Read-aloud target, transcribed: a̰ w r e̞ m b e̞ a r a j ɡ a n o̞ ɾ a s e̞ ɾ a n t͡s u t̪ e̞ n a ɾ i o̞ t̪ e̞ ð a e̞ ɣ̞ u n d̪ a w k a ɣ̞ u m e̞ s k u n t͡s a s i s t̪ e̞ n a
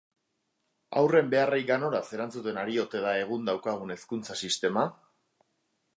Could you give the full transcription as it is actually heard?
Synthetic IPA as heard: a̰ w r e̞ m b e̞ a r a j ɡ a n o̞ ɾ a s e̞ ɾ a n t͡s u t̪ e̞ n a ɾ i o̞ t̪ e̞ ð a e̞ ɣ̞ u n d̪ a w k a ɣ̞ u n e̞ s k u n t͡s a s i s t̪ e̞ m a